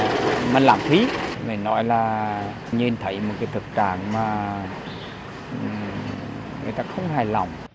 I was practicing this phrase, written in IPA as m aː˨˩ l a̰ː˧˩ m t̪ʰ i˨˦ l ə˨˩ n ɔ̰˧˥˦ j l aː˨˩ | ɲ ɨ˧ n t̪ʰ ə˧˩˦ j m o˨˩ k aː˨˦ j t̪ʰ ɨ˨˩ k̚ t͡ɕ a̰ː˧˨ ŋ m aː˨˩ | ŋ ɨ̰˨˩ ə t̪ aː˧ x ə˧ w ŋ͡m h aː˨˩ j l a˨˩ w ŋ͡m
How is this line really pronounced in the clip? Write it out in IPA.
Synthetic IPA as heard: m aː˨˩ l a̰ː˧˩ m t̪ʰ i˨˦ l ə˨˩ n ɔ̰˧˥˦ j l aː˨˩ | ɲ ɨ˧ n t̪ʰ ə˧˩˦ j m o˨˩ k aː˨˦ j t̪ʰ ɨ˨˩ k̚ t͡ɕ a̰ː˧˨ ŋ m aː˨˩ | ŋ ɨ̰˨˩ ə t̪ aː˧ x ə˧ w ŋ͡m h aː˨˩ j l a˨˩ w ŋ͡m